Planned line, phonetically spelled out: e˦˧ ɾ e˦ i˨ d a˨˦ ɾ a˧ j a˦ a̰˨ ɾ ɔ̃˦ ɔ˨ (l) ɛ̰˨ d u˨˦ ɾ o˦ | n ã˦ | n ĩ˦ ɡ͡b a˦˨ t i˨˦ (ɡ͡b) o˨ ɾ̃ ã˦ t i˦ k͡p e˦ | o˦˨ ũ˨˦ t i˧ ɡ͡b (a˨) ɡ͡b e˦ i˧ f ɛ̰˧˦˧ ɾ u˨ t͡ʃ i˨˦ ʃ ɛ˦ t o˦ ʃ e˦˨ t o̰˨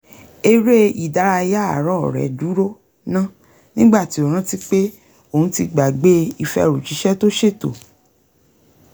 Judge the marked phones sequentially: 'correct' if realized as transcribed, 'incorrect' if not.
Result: incorrect, incorrect, correct

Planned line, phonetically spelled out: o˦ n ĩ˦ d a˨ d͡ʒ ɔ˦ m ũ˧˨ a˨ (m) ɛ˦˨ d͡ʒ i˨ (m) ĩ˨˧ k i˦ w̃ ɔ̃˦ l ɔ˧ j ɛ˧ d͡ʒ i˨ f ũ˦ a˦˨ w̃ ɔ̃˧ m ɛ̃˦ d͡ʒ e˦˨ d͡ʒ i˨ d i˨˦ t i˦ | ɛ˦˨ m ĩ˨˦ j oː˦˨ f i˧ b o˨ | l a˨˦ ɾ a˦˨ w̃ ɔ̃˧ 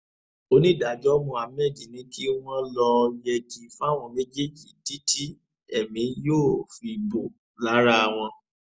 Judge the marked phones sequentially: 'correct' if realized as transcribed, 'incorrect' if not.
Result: correct, incorrect

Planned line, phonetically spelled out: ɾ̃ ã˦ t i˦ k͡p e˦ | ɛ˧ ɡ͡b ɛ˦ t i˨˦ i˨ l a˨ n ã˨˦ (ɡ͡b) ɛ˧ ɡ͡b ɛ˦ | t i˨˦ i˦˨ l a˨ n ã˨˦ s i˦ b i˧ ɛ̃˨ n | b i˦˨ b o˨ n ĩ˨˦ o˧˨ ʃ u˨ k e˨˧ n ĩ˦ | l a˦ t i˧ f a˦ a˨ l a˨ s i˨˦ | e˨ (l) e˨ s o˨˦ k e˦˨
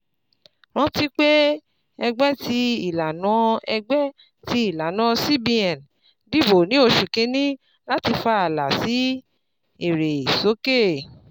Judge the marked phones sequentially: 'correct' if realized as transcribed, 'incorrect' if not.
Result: incorrect, incorrect

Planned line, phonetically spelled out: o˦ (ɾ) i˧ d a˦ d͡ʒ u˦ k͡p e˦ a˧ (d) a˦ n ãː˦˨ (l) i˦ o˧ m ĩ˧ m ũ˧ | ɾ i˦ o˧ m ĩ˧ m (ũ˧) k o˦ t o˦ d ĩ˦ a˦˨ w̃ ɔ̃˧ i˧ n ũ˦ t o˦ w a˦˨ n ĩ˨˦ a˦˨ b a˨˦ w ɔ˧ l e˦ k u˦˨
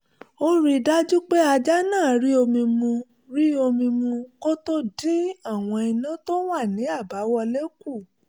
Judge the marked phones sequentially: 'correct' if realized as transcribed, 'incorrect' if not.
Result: correct, incorrect, incorrect, correct

